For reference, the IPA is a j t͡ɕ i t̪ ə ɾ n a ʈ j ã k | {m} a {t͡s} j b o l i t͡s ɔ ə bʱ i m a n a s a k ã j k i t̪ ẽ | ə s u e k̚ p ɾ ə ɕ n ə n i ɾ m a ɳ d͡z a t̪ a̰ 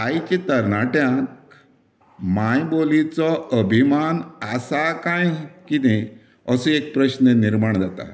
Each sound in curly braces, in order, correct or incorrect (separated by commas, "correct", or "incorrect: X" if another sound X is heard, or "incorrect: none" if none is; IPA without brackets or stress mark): correct, incorrect: none